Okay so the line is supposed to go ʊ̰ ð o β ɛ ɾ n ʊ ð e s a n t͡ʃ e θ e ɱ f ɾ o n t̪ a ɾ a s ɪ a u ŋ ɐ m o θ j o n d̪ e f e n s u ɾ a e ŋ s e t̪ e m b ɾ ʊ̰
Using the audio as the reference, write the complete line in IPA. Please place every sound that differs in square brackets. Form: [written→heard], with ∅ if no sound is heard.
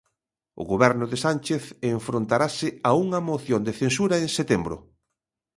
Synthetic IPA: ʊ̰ [ð→ɣ] o β ɛ ɾ n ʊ ð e s a n t͡ʃ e θ e ɱ f ɾ o n t̪ a ɾ a s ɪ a u ŋ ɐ m o θ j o n d̪ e [f→θ] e n s u ɾ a e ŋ s e t̪ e m b ɾ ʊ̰